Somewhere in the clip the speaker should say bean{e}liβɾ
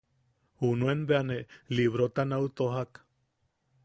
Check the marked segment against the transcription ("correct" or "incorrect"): correct